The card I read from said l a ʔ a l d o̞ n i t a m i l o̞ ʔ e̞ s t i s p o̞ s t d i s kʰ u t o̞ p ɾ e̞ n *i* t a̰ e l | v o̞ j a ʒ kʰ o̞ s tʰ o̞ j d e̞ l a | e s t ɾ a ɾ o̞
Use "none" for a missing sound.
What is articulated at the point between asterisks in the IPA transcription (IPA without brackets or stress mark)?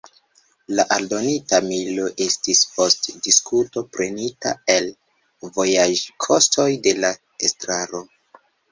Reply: i